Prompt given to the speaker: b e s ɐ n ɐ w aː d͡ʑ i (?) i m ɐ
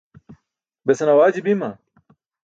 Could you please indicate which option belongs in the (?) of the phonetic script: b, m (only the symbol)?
b